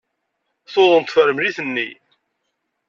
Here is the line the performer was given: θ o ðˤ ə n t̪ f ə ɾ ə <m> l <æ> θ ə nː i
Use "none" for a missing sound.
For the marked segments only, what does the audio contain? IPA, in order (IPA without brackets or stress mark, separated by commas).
m, i